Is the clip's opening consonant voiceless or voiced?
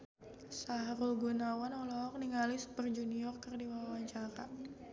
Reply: voiceless